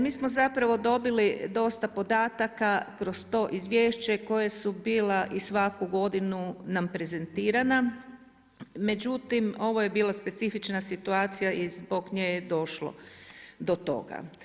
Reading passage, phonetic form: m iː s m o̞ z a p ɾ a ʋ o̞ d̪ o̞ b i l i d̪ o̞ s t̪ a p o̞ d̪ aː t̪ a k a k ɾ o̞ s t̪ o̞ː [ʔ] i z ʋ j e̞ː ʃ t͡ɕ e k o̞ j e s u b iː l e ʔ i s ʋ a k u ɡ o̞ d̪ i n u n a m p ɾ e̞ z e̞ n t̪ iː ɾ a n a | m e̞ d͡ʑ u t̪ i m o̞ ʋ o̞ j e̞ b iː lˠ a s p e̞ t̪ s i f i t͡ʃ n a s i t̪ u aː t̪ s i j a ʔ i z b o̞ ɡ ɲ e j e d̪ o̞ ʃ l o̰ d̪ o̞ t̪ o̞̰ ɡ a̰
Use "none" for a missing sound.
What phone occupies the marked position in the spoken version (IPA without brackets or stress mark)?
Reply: ʔ